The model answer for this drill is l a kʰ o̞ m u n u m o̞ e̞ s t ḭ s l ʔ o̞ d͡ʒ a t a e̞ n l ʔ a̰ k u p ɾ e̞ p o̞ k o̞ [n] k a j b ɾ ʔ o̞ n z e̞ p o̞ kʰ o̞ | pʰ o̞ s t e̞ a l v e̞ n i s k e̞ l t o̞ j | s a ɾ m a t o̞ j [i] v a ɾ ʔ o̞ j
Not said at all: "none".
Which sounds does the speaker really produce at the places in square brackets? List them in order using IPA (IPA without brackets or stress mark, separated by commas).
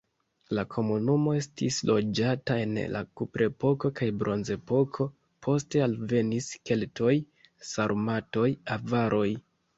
none, a